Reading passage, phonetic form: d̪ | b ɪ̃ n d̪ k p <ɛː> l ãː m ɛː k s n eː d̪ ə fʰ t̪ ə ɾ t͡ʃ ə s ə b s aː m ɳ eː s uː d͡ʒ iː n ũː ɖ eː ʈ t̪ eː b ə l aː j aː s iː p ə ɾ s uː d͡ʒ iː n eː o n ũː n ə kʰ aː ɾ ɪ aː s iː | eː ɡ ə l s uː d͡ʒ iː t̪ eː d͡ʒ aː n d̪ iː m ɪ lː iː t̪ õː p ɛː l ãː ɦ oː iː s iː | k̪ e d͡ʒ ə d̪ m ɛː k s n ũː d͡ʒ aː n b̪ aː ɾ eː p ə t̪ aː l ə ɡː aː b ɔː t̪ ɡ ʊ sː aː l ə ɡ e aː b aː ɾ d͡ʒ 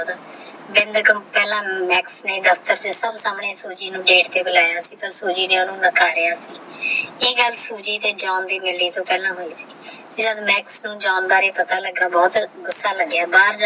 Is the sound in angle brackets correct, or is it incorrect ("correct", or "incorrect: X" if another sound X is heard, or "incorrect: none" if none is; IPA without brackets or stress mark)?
correct